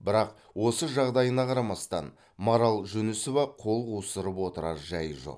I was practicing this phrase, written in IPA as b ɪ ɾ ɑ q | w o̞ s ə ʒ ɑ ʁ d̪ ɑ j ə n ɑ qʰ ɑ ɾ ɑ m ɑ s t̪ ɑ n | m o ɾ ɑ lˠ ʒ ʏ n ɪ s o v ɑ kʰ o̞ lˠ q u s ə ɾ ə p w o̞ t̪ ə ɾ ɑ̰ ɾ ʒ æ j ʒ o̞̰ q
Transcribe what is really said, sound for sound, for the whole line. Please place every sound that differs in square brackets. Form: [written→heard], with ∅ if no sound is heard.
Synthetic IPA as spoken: b ɪ ɾ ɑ q | w o̞ s ə ʒ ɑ ʁ d̪ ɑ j ə n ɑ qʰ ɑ ɾ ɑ m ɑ s t̪ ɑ n | m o ɾ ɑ lˠ ʒ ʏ n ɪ s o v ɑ [kʰ→qʰ] o̞ lˠ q u s ə ɾ ə p w o̞ t̪ ə ɾ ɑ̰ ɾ ʒ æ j ʒ o̞̰ q